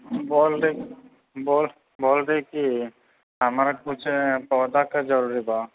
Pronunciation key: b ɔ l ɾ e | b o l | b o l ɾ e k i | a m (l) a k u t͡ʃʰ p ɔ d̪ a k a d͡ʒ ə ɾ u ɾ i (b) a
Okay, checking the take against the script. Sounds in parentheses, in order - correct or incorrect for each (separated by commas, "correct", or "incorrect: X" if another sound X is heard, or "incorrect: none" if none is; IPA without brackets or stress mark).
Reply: incorrect: ɾ, correct